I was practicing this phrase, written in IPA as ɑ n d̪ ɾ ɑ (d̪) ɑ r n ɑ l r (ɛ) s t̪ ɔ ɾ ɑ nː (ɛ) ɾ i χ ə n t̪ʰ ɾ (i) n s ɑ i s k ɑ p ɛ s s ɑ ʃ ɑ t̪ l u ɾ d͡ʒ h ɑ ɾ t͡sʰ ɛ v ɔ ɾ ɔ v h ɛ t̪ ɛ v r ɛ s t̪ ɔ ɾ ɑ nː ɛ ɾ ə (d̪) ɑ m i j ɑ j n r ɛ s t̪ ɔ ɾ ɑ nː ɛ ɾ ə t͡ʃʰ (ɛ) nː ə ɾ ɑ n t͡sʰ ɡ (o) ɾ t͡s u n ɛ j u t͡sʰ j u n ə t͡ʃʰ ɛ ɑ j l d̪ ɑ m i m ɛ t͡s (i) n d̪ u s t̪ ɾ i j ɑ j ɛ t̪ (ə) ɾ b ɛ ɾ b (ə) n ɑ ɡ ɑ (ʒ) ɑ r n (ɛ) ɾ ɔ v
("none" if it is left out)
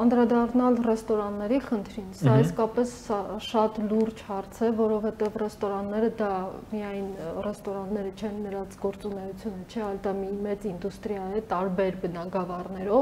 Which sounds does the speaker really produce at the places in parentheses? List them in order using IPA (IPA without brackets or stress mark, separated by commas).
d̪, ɛ, ɛ, i, d̪, ɛ, ɔ, i, ɑ, ə, v, ɛ